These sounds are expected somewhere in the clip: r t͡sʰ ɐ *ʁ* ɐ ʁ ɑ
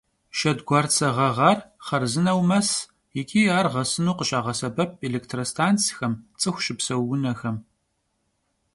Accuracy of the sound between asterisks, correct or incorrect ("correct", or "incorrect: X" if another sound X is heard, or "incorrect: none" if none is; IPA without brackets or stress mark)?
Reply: correct